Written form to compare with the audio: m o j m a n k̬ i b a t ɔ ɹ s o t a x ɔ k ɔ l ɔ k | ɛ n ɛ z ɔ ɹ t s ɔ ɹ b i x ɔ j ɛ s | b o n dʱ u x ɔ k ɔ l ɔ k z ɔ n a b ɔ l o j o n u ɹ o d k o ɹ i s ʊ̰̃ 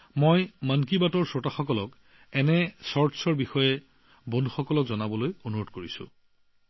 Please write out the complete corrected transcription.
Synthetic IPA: m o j m a n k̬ i b a t ɔ ɹ s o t a x ɔ k ɔ l ɔ k | ɛ n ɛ s ɔ ɹ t s ɔ ɹ b i x ɔ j ɛ | b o n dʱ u x ɔ k ɔ l ɔ k z ɔ n a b ɔ l o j o n u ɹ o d k o ɹ i s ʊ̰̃